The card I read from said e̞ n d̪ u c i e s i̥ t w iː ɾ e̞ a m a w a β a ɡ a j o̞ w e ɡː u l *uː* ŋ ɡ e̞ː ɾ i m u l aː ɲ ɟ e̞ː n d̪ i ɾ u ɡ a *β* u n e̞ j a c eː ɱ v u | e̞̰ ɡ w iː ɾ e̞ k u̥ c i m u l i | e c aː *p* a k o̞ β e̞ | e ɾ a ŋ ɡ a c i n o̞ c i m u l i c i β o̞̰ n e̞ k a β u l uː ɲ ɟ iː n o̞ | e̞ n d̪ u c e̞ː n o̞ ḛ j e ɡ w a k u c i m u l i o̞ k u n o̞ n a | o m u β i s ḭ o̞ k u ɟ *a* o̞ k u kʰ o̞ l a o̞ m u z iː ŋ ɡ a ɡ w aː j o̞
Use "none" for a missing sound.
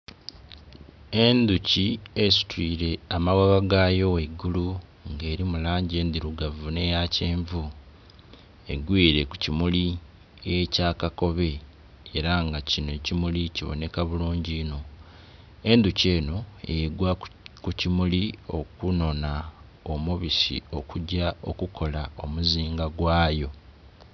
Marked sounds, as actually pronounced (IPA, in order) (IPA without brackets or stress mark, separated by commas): u, v, k, a